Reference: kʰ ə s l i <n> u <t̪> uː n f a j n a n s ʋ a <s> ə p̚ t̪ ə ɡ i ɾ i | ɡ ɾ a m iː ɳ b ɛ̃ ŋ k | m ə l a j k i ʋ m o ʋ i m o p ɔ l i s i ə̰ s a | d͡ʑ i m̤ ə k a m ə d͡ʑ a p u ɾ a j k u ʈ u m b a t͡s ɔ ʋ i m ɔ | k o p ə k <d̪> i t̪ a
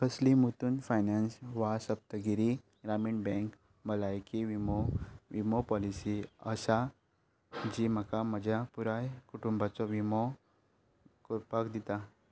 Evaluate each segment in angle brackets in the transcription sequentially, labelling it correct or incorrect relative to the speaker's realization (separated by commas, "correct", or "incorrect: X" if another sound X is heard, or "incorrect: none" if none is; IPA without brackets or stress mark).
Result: incorrect: m, correct, correct, correct